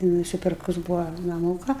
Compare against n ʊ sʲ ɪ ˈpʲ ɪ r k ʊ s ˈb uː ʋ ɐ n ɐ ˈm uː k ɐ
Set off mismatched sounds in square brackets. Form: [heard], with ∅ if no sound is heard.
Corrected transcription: n ʊ sʲ ɪ ˈpʲ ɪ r k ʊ s ˈb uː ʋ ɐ n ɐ ˈm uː k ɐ